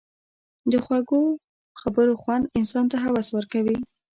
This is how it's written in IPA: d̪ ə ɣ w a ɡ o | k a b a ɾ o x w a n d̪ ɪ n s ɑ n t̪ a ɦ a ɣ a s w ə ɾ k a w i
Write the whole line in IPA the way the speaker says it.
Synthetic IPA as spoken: d̪ ə x w a ɡ o | x a b ə ɾ o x w a n d̪ ɪ n s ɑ n t̪ a ɦ a w a s w ə ɾ k a w i